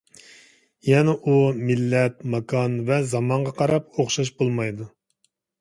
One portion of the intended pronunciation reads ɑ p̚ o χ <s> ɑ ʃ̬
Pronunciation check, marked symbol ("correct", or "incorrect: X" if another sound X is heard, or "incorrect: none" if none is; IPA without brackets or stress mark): incorrect: ʃ